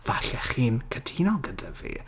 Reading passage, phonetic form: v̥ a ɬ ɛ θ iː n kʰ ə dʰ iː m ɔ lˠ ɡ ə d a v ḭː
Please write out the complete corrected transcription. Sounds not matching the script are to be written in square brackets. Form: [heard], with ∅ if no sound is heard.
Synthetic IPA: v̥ a ɬ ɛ [χ] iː n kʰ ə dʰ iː [n] ɔ lˠ ɡ ə d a v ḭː